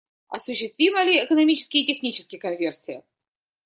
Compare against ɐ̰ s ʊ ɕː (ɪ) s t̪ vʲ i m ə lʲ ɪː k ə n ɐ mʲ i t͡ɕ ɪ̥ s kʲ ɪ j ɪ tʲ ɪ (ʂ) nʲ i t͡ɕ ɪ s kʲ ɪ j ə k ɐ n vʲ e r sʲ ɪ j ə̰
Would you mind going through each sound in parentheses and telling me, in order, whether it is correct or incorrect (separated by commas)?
correct, incorrect